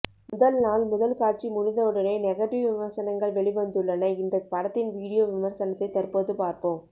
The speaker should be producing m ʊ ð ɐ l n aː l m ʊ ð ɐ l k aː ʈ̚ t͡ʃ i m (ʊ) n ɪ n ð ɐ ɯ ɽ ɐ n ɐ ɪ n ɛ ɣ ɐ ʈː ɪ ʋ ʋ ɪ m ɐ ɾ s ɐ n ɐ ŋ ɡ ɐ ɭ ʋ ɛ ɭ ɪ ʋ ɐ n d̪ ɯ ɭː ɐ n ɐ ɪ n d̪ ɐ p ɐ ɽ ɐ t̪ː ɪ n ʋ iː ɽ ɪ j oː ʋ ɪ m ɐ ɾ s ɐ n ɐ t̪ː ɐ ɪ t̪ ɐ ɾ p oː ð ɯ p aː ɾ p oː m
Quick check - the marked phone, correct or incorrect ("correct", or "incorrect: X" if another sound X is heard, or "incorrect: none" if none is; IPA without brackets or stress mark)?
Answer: correct